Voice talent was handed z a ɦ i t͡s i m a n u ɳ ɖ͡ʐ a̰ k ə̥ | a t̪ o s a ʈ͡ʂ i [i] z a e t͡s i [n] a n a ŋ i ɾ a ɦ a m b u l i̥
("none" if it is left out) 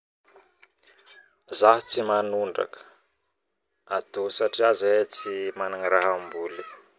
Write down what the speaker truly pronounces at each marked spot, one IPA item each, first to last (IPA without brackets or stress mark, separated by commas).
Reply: a, m